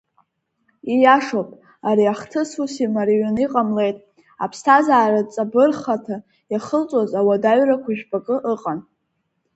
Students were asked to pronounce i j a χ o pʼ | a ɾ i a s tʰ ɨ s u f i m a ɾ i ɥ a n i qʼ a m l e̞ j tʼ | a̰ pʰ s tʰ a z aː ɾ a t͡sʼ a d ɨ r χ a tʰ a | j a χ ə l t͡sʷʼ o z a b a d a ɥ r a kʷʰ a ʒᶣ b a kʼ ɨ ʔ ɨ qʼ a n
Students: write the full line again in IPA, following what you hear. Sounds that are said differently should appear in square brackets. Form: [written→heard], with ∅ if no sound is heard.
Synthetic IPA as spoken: i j a [χ→ʂ] o pʼ | a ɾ i a [s→χ] tʰ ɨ s u [f→s] i m a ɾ i ɥ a n i qʼ a m l e̞ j tʼ | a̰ pʰ s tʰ a z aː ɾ a t͡sʼ a [d→b] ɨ r χ a tʰ a | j a χ ə l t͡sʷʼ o z a [b→w] a d a ɥ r a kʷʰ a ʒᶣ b a kʼ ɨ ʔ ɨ qʼ a n